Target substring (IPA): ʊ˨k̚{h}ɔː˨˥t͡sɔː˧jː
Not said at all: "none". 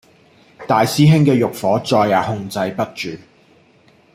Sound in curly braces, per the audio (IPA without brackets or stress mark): f